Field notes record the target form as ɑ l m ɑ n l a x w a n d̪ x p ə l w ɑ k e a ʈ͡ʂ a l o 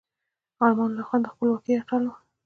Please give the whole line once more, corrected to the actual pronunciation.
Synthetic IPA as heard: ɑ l m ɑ n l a x w a n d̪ x p ə l w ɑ k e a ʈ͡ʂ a l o